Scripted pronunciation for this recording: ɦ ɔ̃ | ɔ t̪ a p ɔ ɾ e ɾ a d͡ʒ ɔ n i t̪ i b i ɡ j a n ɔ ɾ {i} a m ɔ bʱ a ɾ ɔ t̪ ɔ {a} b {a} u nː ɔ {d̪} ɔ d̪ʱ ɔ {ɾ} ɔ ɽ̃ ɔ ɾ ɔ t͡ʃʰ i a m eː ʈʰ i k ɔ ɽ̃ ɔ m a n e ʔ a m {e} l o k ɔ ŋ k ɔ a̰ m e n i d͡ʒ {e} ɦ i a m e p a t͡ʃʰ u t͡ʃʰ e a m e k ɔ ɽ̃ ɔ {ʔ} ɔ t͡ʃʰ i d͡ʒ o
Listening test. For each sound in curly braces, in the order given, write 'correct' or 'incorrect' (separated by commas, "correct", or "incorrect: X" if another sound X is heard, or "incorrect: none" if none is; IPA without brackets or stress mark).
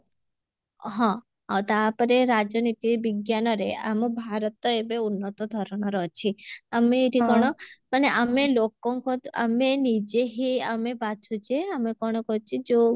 incorrect: e, incorrect: e, incorrect: e, incorrect: t̪, correct, correct, correct, incorrect: k